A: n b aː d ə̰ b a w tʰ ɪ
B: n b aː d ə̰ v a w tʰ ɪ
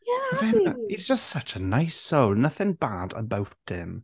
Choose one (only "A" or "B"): A